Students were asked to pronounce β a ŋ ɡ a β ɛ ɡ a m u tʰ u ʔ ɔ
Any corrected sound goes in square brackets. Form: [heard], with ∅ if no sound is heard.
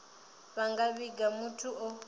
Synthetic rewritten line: β a ŋ ɡ a β [i] ɡ a m u tʰ u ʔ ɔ